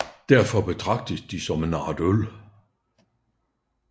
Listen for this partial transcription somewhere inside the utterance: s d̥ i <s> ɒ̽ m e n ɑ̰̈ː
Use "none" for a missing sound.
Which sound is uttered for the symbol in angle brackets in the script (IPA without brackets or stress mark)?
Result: s